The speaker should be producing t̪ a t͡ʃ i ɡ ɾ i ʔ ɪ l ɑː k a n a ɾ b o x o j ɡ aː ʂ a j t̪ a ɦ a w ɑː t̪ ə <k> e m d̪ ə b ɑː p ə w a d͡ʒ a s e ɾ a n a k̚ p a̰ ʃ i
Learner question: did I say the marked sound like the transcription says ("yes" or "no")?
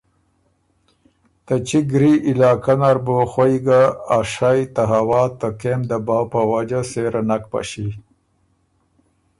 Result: yes